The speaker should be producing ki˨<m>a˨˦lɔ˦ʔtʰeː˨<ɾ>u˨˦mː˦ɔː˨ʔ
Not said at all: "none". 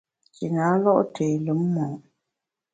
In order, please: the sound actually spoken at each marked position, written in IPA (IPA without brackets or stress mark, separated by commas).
n, l